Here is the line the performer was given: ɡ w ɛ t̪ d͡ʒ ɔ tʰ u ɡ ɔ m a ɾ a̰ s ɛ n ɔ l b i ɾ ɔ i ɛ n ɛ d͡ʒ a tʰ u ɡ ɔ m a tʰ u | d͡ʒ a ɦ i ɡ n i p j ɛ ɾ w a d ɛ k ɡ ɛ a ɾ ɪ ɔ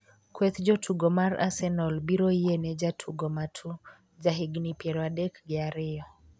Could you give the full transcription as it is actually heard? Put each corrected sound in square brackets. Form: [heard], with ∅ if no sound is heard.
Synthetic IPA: [k] w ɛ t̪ d͡ʒ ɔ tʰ u ɡ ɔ m a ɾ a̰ s ɛ n ɔ l b i ɾ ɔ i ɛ n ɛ d͡ʒ a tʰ u ɡ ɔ m a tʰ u | d͡ʒ a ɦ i ɡ n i p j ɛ ɾ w a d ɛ k ɡ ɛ a ɾ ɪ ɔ